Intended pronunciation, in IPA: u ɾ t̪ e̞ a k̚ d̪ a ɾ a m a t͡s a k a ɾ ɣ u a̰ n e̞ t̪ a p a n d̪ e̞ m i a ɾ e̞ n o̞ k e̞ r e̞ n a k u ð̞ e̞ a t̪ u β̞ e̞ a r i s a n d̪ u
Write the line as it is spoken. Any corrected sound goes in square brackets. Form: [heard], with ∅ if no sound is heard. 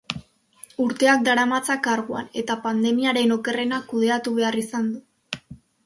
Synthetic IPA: u ɾ t̪ e̞ a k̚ d̪ a ɾ a m a t͡s a k a ɾ ɣ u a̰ n e̞ t̪ a p a n d̪ e̞ m i a ɾ e̞ n o̞ k e̞ r e̞ n a k u ð̞ e̞ a t̪ u β̞ e̞ a r i s a n d̪ u